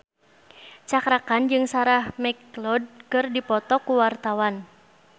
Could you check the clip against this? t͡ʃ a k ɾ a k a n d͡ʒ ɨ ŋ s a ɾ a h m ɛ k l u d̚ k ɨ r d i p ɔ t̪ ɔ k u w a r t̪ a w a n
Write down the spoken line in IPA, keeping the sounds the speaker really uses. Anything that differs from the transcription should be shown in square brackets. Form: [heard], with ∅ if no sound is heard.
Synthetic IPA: t͡ʃ a k ɾ a k a n d͡ʒ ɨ ŋ s a ɾ a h m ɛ k l [ɔ] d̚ k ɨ r d i p ɔ t̪ ɔ k u w a r t̪ a w a n